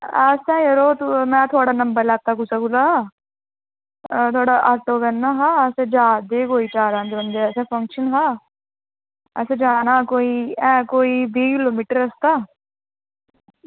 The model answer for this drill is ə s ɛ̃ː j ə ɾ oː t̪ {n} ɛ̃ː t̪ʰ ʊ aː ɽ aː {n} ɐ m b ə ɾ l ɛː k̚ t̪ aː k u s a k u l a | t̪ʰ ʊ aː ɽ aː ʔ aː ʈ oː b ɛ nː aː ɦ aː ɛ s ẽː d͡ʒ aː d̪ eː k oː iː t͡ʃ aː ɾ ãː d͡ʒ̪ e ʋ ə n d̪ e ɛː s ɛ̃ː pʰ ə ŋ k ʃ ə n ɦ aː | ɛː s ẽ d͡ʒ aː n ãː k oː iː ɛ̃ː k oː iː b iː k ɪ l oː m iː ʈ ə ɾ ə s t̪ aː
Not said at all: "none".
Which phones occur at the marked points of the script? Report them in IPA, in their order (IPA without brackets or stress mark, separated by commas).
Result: m, n